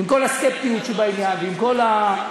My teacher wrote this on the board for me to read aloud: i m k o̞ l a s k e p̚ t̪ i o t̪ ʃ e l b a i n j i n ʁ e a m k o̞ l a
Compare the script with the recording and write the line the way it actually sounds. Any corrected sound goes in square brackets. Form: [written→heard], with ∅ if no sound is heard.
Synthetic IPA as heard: i m k o̞ l a s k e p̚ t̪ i [o→u] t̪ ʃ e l b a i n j [i→a] n [ʁ→v] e [a→i] m k o̞ l a

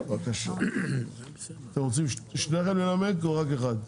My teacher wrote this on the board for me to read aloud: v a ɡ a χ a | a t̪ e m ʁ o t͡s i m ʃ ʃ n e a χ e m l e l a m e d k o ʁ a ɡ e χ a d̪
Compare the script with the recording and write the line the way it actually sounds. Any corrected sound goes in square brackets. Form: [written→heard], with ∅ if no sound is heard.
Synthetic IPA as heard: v a [ɡ→k] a [χ→ʃ] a | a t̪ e m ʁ o t͡s i m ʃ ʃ n e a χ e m l e l a m e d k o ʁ a [ɡ→k] e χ a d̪

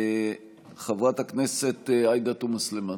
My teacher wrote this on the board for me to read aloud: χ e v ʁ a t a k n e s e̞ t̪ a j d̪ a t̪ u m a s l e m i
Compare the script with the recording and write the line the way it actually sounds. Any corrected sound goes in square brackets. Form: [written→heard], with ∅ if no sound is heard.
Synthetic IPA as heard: χ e v ʁ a t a k n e s e̞ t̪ a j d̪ a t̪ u m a s l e m [i→a]

